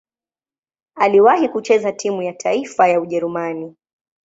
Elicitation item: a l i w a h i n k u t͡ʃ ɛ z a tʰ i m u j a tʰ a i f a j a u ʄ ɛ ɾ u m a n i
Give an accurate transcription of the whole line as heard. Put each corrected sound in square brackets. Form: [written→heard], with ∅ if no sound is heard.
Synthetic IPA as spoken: a l i w a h i [n→∅] k u t͡ʃ ɛ z a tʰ i m u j a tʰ a i f a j a u ʄ ɛ ɾ u m a n i